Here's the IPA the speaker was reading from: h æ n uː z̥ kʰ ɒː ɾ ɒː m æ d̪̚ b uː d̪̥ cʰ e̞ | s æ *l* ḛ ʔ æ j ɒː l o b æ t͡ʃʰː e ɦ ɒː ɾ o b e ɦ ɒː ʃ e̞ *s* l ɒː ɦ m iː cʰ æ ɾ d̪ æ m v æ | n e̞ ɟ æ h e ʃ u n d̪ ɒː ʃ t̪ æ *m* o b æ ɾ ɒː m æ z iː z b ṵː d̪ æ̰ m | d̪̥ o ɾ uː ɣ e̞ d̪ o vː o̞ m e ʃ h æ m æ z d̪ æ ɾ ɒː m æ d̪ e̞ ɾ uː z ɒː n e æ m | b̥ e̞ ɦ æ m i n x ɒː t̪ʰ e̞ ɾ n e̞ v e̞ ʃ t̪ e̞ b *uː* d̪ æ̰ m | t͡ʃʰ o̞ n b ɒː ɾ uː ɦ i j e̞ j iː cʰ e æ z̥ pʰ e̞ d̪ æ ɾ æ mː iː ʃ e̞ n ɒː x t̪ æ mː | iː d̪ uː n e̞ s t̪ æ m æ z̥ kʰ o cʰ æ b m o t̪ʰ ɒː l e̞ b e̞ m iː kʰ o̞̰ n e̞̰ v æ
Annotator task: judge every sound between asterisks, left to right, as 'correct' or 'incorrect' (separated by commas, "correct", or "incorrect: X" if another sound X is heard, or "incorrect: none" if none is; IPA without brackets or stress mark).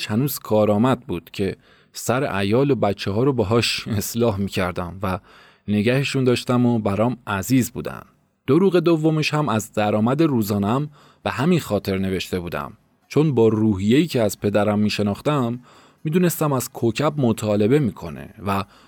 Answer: incorrect: ɾ, correct, correct, correct